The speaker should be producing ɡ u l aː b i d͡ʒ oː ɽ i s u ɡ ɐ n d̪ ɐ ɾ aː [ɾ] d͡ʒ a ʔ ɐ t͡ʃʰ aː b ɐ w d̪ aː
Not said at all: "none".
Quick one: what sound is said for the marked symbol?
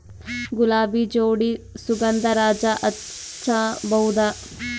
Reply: none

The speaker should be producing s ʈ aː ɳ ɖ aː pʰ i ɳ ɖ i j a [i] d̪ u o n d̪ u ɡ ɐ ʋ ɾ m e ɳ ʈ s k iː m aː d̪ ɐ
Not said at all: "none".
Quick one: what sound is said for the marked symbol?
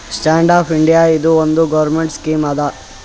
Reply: i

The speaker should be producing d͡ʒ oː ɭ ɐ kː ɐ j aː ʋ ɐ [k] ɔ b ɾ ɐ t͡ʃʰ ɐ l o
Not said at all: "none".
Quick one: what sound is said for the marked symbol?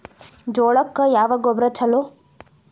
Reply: ɡ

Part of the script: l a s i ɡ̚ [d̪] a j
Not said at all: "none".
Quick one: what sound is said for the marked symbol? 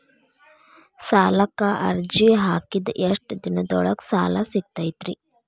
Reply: t̪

